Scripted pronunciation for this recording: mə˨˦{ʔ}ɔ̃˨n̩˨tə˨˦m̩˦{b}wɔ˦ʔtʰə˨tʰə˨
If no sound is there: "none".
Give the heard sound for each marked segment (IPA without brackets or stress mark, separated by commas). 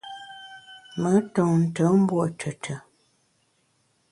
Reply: t, b